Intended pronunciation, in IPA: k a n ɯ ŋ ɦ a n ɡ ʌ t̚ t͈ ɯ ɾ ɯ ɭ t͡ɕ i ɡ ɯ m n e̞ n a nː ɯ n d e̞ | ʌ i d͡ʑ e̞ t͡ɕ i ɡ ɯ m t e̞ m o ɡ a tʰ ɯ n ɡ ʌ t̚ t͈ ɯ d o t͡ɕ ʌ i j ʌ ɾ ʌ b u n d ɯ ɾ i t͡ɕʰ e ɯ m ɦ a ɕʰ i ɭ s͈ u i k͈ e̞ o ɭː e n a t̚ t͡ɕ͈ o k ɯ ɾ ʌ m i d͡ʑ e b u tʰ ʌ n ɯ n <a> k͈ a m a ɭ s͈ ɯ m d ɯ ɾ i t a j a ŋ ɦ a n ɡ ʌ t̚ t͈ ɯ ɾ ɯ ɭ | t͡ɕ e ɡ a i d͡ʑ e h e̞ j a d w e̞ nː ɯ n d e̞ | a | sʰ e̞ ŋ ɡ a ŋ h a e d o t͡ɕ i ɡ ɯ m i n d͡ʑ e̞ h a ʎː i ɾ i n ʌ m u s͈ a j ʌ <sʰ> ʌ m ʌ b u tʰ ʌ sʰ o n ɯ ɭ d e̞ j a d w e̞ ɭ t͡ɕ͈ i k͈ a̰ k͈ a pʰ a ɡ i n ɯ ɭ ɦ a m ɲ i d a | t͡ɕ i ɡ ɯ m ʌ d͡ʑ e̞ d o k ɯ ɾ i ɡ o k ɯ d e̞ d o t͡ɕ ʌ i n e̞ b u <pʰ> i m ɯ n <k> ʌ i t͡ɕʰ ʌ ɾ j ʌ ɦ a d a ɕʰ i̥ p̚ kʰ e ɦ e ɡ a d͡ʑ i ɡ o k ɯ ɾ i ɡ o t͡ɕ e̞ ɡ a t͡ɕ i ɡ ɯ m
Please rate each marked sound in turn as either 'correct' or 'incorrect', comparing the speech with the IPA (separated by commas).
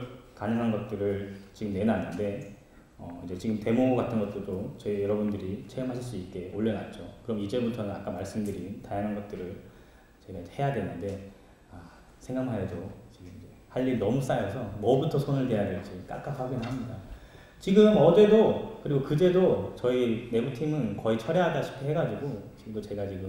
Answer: correct, correct, incorrect, correct